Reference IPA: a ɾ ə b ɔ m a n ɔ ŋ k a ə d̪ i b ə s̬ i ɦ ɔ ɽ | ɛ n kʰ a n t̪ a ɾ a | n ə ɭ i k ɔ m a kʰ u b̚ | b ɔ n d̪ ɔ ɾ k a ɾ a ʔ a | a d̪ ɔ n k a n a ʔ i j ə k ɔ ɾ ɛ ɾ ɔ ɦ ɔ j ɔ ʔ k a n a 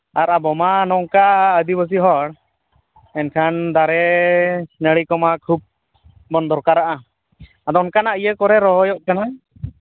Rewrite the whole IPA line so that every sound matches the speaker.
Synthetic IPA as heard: a ɾ a b ɔ m a n ɔ ŋ k a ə d̪ i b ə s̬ i ɦ ɔ ɽ | ɛ n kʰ a n d̪ a ɾ ɛ | n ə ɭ i k ɔ m a kʰ u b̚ | b ɔ n d̪ ɔ ɾ k a ɾ a ʔ a | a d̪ ɔ n k a n a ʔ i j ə k ɔ ɾ ɛ ɾ ɔ ɦ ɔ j ɔ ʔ k a n a